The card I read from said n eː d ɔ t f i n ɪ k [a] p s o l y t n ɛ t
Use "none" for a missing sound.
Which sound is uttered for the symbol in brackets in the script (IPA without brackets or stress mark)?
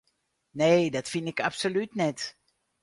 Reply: a